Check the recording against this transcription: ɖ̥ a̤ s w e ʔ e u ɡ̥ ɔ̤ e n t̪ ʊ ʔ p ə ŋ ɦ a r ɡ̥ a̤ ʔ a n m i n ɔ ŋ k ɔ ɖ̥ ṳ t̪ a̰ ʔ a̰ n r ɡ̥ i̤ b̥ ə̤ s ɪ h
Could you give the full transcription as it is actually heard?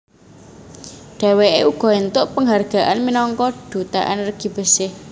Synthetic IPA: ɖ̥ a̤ w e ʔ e u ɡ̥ ɔ̤ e n t̪ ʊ ʔ p ə ŋ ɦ a r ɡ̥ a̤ ʔ a n m i n ɔ ŋ k ɔ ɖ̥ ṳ t̪ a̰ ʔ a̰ n r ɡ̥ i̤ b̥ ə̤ s ɪ h